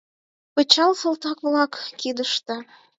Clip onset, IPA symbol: p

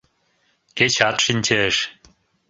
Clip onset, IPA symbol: k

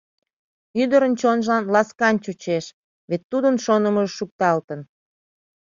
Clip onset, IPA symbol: y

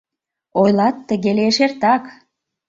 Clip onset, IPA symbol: o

